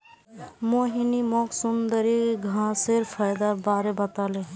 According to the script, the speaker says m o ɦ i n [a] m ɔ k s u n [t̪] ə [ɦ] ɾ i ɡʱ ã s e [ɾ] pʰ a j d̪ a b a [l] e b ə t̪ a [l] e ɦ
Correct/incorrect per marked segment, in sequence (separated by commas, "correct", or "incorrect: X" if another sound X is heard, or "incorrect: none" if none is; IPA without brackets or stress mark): incorrect: i, incorrect: d̪, incorrect: none, correct, incorrect: ɾ, correct